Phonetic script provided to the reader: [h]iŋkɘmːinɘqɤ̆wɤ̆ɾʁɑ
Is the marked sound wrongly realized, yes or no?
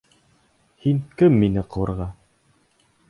no